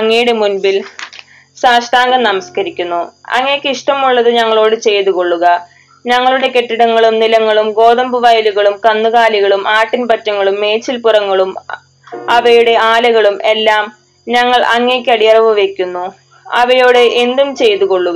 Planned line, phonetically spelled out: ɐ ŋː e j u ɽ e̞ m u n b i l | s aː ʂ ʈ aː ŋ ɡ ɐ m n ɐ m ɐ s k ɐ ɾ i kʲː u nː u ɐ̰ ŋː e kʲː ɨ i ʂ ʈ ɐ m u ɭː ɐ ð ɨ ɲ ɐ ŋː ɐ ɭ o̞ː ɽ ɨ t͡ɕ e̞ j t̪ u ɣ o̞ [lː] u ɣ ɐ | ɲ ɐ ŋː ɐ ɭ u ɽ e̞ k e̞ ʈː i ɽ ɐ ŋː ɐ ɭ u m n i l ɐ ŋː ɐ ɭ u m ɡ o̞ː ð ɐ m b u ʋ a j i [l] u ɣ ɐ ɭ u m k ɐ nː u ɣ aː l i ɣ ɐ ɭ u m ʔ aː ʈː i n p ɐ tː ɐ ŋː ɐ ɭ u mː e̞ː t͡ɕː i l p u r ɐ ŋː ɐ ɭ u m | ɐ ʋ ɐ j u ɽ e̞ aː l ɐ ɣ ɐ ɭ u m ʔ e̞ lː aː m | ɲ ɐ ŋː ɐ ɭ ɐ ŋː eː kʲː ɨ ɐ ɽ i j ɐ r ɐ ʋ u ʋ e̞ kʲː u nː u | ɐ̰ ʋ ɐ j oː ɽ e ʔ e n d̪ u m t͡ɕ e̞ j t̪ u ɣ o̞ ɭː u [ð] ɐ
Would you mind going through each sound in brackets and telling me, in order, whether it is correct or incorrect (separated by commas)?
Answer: incorrect, correct, incorrect